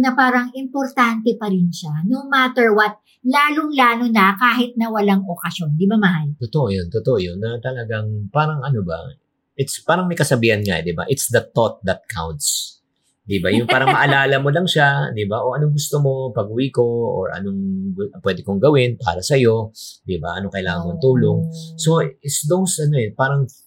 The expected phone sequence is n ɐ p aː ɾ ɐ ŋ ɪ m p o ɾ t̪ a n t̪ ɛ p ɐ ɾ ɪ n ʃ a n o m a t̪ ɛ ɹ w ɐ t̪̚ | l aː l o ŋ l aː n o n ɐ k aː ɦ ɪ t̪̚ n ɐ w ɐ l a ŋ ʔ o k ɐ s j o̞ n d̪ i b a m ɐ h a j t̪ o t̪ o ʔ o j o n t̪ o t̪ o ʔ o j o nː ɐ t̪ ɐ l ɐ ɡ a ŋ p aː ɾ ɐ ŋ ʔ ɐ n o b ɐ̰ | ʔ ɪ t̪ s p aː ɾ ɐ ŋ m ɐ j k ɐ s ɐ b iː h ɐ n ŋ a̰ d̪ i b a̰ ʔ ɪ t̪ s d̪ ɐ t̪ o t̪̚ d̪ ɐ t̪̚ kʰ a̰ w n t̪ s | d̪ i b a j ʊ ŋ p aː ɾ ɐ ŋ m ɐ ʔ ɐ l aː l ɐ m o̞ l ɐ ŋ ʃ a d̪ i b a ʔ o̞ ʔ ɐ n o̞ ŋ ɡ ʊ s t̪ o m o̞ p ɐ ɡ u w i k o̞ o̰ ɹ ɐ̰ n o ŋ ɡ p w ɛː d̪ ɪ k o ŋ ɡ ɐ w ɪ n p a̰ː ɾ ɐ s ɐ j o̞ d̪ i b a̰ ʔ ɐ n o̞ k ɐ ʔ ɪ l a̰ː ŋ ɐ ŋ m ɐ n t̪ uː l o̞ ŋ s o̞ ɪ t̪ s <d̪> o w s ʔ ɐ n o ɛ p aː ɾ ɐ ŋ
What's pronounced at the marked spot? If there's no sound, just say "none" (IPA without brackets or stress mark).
d̪